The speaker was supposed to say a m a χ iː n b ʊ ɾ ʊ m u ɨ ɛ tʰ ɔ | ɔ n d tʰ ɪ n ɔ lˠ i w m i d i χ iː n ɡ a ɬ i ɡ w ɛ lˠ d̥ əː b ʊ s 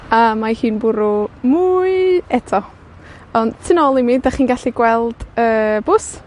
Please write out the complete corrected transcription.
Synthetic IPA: a m a h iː n b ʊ ɾ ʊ m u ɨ ɛ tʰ ɔ | ɔ n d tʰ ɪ n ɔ lˠ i m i d a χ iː n ɡ a ɬ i ɡ w ɛ lˠ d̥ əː b ʊ s